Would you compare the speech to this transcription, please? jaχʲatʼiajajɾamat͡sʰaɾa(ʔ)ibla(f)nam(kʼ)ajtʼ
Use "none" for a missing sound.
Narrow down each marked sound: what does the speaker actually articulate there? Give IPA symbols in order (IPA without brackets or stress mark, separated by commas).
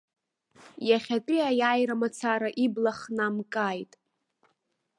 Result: ʔ, χ, kʼ